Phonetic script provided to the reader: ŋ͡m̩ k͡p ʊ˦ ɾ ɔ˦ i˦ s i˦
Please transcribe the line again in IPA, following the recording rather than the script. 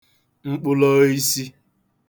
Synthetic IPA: ŋ͡m̩ k͡p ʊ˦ l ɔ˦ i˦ s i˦